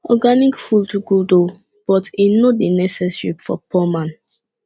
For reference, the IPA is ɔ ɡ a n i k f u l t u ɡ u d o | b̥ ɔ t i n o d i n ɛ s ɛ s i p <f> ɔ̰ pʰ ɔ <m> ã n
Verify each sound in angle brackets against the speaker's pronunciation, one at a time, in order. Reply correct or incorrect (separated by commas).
correct, correct